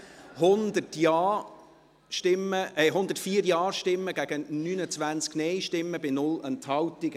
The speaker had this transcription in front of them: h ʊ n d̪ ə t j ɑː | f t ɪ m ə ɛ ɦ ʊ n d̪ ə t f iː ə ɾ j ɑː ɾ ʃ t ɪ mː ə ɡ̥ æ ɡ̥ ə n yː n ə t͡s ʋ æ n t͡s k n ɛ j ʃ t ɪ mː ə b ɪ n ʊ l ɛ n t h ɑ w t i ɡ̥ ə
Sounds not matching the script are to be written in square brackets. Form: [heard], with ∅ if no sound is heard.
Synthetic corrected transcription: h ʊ n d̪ ə t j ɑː | [ʃ] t ɪ m ə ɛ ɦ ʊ n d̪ ə t f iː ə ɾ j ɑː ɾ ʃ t ɪ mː ə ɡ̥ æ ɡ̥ ə n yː n ə t͡s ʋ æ n t͡s k n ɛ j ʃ t ɪ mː ə b ɪ n ʊ l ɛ n t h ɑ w t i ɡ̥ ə

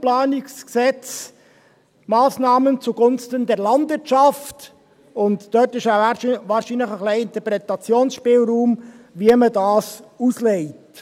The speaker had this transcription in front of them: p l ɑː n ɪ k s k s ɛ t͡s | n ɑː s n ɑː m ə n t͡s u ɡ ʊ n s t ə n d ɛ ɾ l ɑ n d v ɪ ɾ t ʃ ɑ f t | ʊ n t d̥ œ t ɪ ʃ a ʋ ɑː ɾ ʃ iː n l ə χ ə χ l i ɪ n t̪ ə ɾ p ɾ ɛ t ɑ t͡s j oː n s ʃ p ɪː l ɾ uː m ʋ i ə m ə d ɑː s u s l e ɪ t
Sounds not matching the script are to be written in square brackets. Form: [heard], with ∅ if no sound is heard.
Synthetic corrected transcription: p l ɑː n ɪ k s k s ɛ t͡s | [m] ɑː s n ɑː m ə n t͡s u ɡ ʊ n s t ə n d ɛ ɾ l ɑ n d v ɪ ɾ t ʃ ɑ f t | ʊ n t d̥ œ t ɪ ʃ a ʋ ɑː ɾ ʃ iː n l ə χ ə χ l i ɪ n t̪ ə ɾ p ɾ ɛ t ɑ t͡s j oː n s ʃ p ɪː l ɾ uː m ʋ i ə m ə d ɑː s u s l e ɪ t

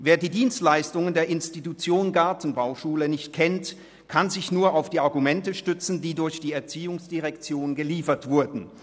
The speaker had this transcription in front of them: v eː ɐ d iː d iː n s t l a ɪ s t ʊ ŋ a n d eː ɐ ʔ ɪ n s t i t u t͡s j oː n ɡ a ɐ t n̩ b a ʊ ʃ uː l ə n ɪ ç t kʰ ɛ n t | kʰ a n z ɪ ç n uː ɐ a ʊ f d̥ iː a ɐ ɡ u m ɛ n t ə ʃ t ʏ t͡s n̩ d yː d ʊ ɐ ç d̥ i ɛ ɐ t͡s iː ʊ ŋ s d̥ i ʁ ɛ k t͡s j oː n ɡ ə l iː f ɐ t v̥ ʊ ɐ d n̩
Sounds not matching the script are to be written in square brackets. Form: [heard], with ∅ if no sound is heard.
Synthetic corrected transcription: v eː ɐ d iː d iː n s t l a ɪ s t ʊ ŋ [ə] n d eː ɐ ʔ ɪ n s t i t u t͡s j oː n ɡ a ɐ t n̩ b a ʊ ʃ uː l ə n ɪ ç t kʰ ɛ n t | kʰ a n z ɪ ç n uː ɐ a ʊ f d̥ iː a ɐ ɡ u m ɛ n t ə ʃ t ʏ t͡s n̩ d [iː] d ʊ ɐ ç d̥ [iː] ɛ ɐ t͡s iː ʊ ŋ s d̥ i ʁ ɛ k t͡s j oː n ɡ ə l iː f ɐ t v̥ ʊ ɐ d n̩

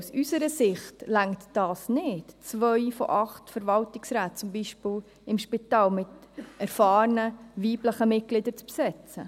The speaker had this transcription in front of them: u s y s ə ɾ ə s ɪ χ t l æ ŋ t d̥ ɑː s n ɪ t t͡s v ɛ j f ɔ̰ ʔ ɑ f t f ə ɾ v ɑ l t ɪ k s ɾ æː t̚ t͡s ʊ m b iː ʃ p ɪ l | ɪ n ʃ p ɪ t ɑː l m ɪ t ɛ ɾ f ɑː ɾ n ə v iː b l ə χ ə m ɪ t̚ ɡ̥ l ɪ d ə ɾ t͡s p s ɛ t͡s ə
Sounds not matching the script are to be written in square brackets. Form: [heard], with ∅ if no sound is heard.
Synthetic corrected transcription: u s y s ə ɾ ə s ɪ χ t l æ ŋ t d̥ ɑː s n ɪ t t͡s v [œ] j f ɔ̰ ʔ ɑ [χ] t f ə ɾ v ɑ l t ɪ k s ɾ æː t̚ t͡s ʊ m b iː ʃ p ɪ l | ɪ [m] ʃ p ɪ t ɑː l m ɪ t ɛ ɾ f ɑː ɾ n ə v iː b l ə χ ə m ɪ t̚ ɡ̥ l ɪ d ə ɾ t͡s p s ɛ t͡s ə

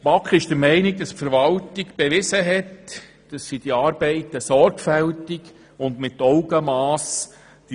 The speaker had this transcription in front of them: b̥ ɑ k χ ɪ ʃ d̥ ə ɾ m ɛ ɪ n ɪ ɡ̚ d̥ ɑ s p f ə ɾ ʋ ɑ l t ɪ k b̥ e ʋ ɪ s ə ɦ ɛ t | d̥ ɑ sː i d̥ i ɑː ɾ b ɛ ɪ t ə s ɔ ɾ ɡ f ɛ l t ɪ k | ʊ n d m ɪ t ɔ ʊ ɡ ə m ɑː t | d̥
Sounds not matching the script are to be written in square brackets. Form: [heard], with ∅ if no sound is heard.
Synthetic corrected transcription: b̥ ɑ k χ ɪ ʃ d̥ ə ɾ m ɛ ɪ n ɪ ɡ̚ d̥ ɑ s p f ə ɾ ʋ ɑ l t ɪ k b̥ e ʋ ɪ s ə ɦ ɛ t | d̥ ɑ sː i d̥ i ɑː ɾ b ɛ ɪ t ə s ɔ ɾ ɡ f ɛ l t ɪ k | ʊ n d m ɪ t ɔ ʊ ɡ ə m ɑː [s] | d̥

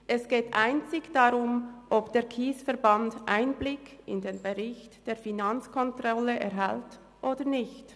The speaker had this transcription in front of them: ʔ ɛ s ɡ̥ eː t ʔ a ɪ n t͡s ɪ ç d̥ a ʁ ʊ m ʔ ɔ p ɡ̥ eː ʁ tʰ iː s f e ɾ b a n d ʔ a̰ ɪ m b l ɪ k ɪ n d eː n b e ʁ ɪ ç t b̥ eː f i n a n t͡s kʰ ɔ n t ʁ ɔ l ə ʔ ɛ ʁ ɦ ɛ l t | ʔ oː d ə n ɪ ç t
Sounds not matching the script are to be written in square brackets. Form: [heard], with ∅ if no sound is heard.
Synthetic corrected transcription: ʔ ɛ s ɡ̥ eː t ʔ a ɪ n t͡s ɪ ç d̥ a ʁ ʊ m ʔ ɔ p [d̥] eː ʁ [kʰ] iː s f [ɛ] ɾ b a n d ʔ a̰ ɪ [n] b l ɪ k ɪ n d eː n b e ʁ ɪ ç t [d̥] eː f i n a n t͡s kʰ ɔ n t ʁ ɔ l ə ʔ ɛ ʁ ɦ ɛ l t | ʔ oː d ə n ɪ ç t

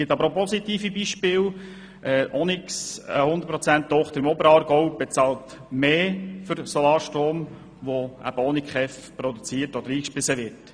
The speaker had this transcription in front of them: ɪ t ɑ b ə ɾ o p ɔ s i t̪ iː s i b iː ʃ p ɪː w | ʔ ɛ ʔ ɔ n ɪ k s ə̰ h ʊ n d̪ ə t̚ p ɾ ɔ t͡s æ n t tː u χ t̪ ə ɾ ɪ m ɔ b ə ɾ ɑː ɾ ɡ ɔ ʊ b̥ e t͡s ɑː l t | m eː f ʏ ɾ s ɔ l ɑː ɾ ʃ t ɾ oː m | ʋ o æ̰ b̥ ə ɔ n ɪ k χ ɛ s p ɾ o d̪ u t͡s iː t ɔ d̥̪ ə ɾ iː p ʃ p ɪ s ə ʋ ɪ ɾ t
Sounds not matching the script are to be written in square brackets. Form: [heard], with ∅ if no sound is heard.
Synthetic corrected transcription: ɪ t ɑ b ə ɾ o p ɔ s i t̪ iː [f] i b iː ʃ p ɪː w | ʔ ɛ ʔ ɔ n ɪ k s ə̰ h ʊ n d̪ ə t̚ p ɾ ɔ t͡s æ n t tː [ɔ] χ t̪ ə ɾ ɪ m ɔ b ə ɾ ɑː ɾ ɡ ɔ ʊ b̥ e t͡s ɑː l t | m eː f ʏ ɾ s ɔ l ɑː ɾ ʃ t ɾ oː m | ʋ o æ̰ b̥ ə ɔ n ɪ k χ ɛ [f] p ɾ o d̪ u t͡s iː t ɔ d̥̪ ə ɾ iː [k] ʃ p ɪ s ə ʋ ɪ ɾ t

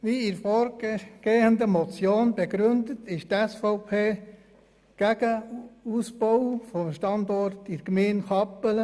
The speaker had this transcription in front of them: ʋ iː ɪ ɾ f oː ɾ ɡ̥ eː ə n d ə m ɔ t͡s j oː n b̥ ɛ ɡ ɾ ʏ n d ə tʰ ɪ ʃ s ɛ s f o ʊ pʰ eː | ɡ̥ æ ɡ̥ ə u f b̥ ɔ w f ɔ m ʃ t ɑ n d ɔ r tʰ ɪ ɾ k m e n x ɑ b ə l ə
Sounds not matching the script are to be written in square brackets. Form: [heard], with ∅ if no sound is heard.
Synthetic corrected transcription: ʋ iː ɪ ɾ f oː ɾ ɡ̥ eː ə n d ə m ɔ t͡s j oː n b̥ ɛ ɡ ɾ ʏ n d ə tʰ ɪ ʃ [t] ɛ s f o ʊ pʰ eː | ɡ̥ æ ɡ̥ ə u [s] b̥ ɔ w f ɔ m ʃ t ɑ n d ɔ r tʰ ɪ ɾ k m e n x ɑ [p] ə l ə

